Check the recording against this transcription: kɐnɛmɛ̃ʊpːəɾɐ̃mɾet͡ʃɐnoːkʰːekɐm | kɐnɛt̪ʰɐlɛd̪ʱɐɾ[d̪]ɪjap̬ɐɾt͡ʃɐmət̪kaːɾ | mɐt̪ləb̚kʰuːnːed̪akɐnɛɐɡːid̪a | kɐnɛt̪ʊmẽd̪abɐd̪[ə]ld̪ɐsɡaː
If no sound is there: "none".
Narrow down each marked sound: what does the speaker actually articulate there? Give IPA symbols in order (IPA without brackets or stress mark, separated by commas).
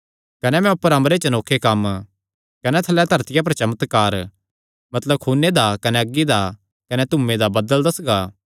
t̪, ə